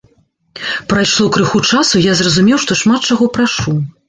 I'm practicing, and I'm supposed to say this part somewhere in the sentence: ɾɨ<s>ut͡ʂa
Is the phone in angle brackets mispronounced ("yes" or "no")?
yes